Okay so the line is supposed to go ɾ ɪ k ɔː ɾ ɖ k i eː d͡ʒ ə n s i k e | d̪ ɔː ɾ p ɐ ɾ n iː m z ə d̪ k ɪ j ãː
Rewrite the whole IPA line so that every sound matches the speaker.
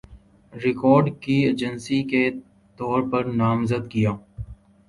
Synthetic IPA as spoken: ɾ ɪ k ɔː ɾ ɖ k i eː d͡ʒ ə n s i k e | t̪ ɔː ɾ p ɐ ɾ n aː m z ə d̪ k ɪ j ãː